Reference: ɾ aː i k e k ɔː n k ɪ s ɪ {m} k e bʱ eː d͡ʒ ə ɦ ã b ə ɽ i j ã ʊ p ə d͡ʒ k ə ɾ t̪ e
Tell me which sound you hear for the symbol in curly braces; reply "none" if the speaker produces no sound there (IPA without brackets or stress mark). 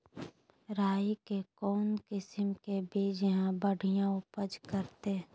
m